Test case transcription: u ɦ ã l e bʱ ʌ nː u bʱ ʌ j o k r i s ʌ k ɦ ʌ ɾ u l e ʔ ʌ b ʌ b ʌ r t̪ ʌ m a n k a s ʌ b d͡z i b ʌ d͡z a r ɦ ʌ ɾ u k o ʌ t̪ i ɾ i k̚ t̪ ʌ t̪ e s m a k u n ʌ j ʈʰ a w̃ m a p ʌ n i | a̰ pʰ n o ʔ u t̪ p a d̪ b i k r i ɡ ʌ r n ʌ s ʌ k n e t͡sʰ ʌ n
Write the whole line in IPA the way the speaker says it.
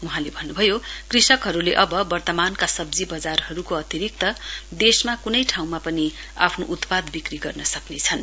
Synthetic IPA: u ɦ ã l e bʱ ʌ nː u bʱ ʌ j o k r i s ʌ k ɦ ʌ ɾ u l e ʔ ʌ b ʌ b ʌ r t̪ ʌ m a n k a s ʌ b d͡z i b ʌ d͡z a r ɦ ʌ ɾ u k o ʌ t̪ i ɾ i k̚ t̪ ʌ d̪ e s m a k u n ʌ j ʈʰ a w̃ m a p ʌ n i | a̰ pʰ n o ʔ u t̪ p a d̪ b i k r i ɡ ʌ r n ʌ s ʌ k n e t͡sʰ ʌ n